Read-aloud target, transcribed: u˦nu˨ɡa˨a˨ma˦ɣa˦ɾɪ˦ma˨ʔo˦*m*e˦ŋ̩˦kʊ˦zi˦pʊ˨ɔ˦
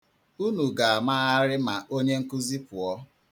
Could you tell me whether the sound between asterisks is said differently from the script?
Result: yes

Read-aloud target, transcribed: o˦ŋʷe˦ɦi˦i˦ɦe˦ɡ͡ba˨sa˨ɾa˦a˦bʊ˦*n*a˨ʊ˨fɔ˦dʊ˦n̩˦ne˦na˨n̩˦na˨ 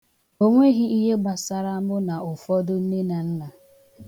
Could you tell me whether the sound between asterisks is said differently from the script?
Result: no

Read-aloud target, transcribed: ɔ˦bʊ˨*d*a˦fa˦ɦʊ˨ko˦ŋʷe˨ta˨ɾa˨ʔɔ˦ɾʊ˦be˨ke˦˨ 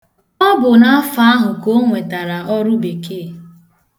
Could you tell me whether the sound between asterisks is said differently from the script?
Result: yes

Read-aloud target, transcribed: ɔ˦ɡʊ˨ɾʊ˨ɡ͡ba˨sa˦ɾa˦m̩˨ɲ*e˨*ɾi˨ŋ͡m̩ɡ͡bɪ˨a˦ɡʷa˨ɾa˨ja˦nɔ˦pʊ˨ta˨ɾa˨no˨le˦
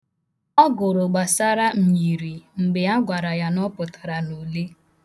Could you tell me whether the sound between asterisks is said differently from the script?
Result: yes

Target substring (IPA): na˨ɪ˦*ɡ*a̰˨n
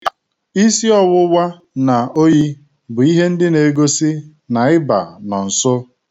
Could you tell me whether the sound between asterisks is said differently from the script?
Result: yes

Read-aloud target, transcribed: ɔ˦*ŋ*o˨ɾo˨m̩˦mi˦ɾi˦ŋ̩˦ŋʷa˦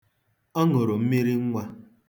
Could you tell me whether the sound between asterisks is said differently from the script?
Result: no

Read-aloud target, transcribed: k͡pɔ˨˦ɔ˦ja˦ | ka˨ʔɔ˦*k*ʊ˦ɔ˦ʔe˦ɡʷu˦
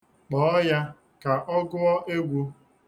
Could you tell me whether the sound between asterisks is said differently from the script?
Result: yes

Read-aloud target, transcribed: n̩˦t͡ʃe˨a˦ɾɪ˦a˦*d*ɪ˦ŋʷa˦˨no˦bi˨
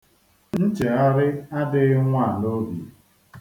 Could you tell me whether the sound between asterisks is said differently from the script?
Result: no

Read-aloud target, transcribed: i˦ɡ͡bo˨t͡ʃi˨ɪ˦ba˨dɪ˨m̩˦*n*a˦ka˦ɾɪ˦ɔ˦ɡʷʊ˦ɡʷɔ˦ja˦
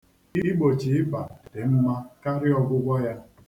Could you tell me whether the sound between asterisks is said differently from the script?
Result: yes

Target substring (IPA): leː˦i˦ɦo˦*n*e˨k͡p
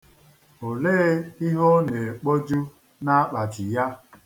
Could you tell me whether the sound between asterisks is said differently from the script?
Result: no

